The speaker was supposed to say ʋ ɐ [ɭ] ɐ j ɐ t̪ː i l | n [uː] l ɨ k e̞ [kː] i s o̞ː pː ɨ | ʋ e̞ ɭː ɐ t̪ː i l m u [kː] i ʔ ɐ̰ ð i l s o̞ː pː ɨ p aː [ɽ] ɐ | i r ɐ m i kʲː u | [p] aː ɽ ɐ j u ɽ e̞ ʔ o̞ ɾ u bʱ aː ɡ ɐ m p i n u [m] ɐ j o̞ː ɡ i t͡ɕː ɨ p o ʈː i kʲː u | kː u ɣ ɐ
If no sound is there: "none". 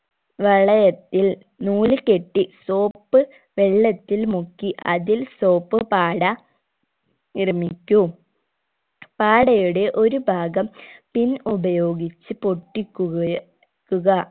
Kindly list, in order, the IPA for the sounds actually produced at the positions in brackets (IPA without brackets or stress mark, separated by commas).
ɭ, uː, ʈː, kː, ɽ, p, b